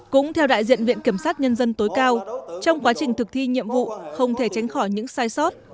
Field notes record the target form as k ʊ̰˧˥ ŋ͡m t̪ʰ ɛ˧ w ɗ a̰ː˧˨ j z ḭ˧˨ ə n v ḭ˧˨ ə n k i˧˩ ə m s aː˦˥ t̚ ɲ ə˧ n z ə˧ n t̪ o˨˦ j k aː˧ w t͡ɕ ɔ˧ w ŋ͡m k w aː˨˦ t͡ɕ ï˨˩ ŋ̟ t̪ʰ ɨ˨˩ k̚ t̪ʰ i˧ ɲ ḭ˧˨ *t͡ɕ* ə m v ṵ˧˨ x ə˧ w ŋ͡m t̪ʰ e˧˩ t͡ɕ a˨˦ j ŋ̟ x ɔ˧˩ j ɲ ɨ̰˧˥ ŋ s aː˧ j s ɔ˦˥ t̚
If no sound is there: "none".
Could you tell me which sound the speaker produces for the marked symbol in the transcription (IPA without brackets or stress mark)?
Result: none